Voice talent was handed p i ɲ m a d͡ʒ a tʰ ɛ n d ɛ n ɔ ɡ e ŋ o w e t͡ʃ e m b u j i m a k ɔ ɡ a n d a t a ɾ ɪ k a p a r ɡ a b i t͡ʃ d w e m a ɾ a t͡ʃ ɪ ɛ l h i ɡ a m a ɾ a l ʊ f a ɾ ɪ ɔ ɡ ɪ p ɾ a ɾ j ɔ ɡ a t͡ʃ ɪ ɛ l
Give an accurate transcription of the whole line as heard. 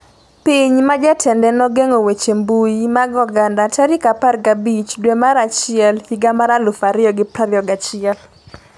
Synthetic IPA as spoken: p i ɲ m a d͡ʒ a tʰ ɛ n d ɛ n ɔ ɡ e ŋ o w e t͡ʃ e m b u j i m a ɡ ɔ ɡ a n d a t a ɾ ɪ k a p a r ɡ a b i t͡ʃ d w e m a ɾ a t͡ʃ ɪ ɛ l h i ɡ a m a ɾ a l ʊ f a ɾ ɪ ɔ ɡ ɪ p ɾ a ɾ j ɔ ɡ a t͡ʃ ɪ ɛ l